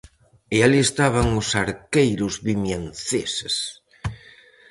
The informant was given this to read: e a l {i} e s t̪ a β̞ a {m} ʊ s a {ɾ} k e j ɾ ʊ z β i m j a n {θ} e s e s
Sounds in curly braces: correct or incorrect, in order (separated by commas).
correct, incorrect, correct, correct